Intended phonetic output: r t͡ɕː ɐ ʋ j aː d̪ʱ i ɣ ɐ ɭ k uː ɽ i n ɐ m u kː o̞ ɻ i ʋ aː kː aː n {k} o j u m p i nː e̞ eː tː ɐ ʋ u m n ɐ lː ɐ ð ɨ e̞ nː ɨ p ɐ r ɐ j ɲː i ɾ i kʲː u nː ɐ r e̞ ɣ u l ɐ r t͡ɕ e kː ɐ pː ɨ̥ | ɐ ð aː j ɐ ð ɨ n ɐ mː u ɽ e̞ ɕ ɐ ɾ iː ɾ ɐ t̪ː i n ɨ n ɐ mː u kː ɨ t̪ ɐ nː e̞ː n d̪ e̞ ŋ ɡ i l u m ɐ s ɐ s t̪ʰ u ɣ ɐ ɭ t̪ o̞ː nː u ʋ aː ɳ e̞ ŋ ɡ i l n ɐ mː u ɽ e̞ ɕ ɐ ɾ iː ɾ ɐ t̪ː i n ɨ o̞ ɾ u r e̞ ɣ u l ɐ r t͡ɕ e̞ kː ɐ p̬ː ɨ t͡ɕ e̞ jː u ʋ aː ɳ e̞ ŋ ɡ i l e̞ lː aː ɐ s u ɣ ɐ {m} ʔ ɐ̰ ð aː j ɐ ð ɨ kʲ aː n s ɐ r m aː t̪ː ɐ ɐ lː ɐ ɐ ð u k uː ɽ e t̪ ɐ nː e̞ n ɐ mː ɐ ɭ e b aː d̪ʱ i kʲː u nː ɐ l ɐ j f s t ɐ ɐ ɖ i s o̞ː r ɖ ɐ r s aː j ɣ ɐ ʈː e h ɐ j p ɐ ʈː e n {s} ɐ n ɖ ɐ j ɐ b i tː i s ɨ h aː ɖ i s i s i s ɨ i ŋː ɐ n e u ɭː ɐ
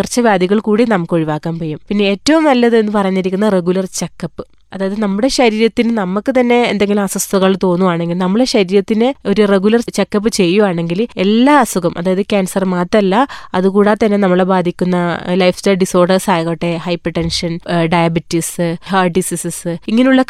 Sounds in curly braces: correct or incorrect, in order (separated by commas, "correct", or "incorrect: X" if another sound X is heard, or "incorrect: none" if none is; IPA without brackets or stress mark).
incorrect: p, correct, incorrect: ʂ